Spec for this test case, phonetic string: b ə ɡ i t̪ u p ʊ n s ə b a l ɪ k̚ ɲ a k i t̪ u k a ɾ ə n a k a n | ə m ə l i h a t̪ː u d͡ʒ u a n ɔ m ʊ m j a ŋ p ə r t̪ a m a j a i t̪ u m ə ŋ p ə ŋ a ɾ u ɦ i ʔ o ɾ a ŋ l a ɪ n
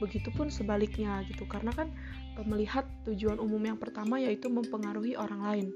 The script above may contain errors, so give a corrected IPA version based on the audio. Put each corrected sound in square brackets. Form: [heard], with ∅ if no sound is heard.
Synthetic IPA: b ə ɡ i t̪ u p ʊ n s ə b a l ɪ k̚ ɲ a [ɡ] i t̪ u k a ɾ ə n a k a n | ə m ə l i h a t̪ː u d͡ʒ u a n [u] m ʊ m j a ŋ p ə r t̪ a m a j a i t̪ u m ə [m] p ə ŋ a ɾ u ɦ i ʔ o ɾ a ŋ l a ɪ n